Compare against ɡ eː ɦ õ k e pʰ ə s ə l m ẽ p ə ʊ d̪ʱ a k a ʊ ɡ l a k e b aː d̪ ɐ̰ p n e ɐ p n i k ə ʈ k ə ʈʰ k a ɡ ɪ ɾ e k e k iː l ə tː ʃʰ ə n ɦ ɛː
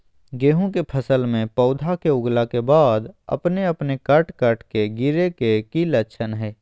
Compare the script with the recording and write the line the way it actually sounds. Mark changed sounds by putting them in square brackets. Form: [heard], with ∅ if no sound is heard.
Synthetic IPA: ɡ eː ɦ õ k e pʰ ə s ə l m ẽ p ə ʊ d̪ʱ a k [e] ʊ ɡ l a k e b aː d̪ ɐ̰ p n e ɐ p n [e] k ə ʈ k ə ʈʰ k [e] ɡ ɪ ɾ e k e k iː l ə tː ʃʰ ə n ɦ ɛː